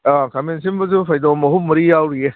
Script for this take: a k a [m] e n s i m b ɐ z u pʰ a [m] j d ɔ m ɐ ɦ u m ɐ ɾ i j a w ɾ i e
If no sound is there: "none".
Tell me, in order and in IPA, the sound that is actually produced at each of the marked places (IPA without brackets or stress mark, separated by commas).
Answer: m, none